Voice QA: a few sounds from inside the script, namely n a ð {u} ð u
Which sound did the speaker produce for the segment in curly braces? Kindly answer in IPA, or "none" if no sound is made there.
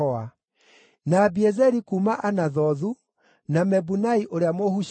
ɔ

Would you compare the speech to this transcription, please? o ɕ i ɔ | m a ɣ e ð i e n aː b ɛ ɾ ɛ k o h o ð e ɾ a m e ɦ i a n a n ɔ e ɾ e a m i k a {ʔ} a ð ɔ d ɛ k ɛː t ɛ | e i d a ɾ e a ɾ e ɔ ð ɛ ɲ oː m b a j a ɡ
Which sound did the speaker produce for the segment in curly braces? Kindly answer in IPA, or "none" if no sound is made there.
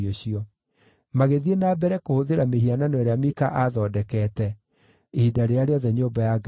ʔ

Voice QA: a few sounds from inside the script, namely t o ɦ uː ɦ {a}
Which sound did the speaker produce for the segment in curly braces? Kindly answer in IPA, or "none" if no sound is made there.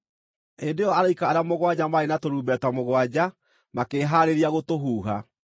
a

